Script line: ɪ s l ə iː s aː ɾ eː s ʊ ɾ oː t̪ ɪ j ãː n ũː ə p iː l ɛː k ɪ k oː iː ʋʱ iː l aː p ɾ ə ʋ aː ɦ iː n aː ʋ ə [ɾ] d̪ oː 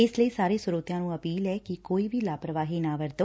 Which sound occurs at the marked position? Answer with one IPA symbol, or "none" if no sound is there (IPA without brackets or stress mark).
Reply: ɾ